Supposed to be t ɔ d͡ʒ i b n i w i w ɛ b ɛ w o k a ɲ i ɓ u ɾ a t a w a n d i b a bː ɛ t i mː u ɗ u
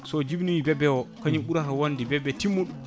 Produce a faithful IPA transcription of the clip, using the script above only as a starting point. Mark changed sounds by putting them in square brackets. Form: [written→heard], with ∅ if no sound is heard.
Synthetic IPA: [t→s] ɔ d͡ʒ i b n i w i [w→b] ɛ b ɛ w [o→ɔ] k a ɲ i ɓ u ɾ a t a w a n d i b [a→ɛ] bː ɛ t i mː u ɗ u